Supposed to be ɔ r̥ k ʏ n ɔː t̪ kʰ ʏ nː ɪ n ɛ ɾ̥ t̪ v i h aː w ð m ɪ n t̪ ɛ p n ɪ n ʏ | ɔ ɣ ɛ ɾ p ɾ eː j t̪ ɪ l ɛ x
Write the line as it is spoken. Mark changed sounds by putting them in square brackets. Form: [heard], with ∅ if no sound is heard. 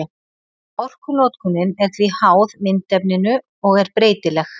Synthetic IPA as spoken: ɔ r̥ k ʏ n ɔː t̪ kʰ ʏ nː ɪ n ɛ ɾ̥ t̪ v i h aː w ð m ɪ n t̪ ɛ p n ɪ n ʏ | ɔ ɣ ɛ ɾ p ɾ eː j t̪ ɪ l ɛ x